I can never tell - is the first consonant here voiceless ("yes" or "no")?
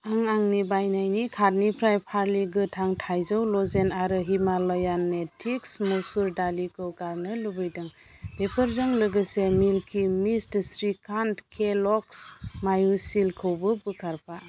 no